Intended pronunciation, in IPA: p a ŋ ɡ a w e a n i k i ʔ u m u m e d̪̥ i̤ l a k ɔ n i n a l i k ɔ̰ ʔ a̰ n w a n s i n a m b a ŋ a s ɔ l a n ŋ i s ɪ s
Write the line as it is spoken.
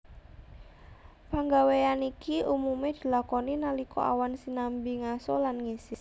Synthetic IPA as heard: p a ŋ ɡ a w e a n i k i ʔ u m u m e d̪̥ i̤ l a k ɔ n i n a l i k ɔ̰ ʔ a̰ w a n s i n a m b i ŋ a s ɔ l a n ŋ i s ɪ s